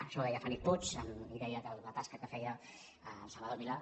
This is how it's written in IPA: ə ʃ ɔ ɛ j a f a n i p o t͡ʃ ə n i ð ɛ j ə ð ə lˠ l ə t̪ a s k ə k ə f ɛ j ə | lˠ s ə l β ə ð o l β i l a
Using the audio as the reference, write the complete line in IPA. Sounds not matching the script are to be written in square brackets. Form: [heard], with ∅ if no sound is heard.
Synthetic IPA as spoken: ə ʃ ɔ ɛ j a f a n i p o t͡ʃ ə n i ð ɛ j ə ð ə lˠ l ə t̪ a s k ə k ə f ɛ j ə | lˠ s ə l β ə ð o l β i l a